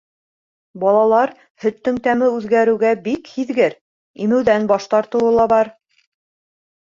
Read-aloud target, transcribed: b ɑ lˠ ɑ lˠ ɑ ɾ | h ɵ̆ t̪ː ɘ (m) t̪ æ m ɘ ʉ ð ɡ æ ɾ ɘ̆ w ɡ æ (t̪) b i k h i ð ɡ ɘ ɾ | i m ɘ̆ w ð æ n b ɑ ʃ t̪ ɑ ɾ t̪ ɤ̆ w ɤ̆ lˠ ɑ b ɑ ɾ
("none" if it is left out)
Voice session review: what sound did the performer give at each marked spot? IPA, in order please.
ŋ, none

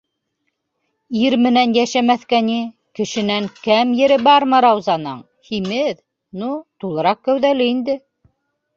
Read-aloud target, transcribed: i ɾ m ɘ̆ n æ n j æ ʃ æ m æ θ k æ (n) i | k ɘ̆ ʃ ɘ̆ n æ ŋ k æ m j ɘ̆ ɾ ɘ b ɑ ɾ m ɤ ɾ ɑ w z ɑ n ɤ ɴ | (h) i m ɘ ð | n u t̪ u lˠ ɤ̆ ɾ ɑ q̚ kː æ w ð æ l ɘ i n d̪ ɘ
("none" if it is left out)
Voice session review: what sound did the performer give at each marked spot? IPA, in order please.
n, h

